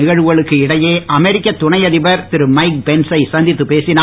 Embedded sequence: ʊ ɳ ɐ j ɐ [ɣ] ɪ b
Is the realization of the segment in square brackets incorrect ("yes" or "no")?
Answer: yes